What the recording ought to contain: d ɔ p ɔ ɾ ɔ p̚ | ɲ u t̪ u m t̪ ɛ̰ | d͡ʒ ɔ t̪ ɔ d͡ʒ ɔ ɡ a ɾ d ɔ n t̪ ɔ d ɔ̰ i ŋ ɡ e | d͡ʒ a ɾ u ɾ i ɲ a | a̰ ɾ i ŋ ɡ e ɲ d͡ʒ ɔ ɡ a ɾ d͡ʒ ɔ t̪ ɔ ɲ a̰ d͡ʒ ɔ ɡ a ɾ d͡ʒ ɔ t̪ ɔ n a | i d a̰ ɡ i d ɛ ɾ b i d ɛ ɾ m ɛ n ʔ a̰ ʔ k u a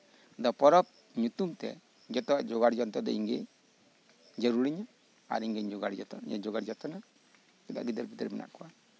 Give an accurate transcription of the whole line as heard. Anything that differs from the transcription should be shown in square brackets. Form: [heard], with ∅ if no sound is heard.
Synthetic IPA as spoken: d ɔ p ɔ ɾ ɔ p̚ | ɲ u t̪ u m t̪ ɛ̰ | d͡ʒ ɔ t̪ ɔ d͡ʒ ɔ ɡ a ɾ [d͡ʒ] ɔ n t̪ ɔ d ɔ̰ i ŋ ɡ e | d͡ʒ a ɾ u ɾ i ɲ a | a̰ ɾ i ŋ ɡ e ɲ d͡ʒ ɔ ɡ a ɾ d͡ʒ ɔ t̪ ɔ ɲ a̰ d͡ʒ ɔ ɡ a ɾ d͡ʒ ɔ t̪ ɔ n a | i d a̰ ɡ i d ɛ ɾ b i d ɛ ɾ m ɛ n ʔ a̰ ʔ k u a

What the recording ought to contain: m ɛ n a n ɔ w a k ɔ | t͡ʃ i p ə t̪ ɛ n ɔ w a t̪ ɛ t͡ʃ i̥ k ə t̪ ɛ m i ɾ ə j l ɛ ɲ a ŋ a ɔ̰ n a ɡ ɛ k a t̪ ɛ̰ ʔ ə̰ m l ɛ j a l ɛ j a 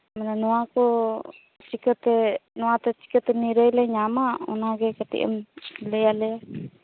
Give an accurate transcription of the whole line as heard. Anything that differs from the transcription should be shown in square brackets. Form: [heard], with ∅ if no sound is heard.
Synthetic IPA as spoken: m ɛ n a n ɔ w a k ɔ | t͡ʃ i [k] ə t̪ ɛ n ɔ w a t̪ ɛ t͡ʃ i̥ k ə t̪ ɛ [n] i ɾ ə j l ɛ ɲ a [m] a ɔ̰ n a ɡ ɛ k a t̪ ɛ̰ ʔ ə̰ m l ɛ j a l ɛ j a

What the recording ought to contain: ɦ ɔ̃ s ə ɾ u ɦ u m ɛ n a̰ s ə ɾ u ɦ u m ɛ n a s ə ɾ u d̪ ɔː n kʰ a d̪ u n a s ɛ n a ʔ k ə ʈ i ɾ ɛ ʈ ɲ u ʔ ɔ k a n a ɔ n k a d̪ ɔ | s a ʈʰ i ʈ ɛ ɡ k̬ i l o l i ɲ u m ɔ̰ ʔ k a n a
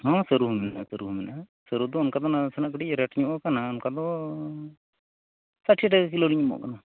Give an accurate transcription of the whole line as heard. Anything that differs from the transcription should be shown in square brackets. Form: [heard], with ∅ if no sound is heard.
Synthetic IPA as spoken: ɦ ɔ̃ s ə ɾ u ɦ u m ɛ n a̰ s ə ɾ u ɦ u m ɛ n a s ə ɾ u d̪ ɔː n [k] a d̪ [ɔ] n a s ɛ n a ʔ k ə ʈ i ɾ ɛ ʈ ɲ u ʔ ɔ k a n a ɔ n k a d̪ ɔ | s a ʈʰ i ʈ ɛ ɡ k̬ i l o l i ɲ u m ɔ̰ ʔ k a n a

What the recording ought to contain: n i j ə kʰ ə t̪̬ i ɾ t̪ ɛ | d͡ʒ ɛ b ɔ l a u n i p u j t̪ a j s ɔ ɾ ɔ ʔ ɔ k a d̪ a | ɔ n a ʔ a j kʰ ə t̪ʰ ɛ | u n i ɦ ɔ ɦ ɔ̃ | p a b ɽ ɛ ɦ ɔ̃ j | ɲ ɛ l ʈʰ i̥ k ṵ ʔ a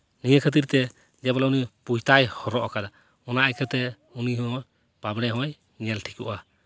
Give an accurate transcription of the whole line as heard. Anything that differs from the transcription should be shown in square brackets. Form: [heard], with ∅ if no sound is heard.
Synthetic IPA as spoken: n i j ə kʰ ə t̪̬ i ɾ t̪ ɛ | d͡ʒ ɛ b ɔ l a u n i p u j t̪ a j [h] ɔ ɾ ɔ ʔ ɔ k a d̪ a | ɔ n a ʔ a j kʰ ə [t̪] ɛ | u n i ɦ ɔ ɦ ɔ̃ | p a b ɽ ɛ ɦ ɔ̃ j | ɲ ɛ l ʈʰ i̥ k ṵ ʔ a

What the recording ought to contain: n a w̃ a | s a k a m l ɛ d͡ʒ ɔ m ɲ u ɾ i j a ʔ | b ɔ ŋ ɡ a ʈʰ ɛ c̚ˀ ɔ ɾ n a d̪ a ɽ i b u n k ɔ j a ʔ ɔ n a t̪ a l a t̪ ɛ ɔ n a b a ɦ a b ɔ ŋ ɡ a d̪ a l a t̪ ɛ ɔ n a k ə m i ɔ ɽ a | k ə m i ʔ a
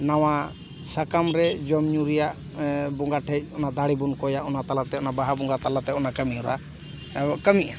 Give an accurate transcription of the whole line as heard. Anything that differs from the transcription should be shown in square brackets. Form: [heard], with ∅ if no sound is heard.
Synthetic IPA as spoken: n a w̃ a | s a k a m [ɾ] ɛ d͡ʒ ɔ m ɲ u ɾ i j a ʔ | b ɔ ŋ ɡ a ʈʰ ɛ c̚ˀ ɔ [∅] n a d̪ a ɽ i b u n k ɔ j a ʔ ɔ n a t̪ a l a t̪ ɛ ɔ n a b a ɦ a b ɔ ŋ ɡ a [t̪] a l a t̪ ɛ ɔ n a k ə m i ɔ [ɾ] a | k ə m i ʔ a

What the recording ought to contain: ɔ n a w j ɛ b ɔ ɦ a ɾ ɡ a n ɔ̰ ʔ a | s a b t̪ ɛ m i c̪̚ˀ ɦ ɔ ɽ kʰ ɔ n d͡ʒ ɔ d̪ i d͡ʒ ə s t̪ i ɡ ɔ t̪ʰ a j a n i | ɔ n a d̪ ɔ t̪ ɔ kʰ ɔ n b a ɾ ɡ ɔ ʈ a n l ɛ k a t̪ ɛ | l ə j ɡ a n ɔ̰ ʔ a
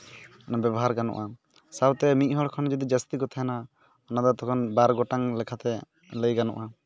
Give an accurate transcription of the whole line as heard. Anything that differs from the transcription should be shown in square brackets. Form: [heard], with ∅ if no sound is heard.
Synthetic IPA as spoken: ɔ n a [b] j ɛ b ɔ ɦ a ɾ ɡ a n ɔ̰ ʔ a | s a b t̪ ɛ m i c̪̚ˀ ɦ ɔ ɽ kʰ ɔ n d͡ʒ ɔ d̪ i d͡ʒ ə s t̪ i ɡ ɔ t̪ʰ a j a n [a] | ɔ n a d̪ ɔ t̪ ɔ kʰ ɔ n b a ɾ ɡ ɔ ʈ a [ŋ] l ɛ [kʰ] a t̪ ɛ | l ə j ɡ a n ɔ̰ ʔ a

